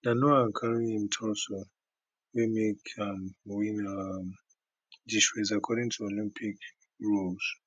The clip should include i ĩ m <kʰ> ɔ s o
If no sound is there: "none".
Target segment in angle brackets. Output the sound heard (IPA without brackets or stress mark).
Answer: tʰ